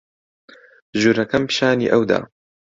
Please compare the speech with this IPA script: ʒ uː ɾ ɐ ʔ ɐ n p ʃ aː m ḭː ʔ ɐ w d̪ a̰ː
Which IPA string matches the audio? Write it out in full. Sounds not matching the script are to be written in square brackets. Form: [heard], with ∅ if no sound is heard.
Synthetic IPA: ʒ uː ɾ ɐ [k] ɐ [m] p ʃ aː [n] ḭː ʔ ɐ w d̪ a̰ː